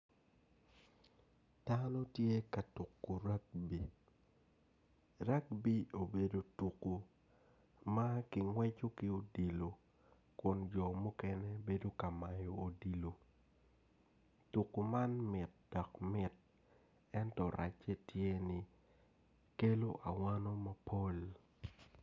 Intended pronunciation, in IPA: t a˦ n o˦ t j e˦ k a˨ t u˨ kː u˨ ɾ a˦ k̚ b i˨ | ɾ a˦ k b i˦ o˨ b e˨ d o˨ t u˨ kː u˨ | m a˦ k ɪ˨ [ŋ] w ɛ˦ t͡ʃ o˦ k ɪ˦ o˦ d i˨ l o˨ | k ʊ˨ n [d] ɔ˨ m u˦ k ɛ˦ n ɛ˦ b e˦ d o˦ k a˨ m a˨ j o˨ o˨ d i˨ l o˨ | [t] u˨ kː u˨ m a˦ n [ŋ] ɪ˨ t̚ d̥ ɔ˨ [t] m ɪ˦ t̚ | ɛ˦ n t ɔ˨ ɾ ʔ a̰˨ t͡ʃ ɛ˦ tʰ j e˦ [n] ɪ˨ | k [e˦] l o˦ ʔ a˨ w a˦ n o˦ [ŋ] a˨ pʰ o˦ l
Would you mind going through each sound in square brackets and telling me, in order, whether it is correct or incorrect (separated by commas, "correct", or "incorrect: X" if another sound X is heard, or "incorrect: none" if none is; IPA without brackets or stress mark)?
correct, incorrect: d͡ʒ, correct, incorrect: m, incorrect: k, correct, correct, incorrect: m